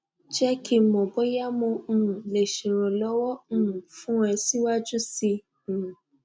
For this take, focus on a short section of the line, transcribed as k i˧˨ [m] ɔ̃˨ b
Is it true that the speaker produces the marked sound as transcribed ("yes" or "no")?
yes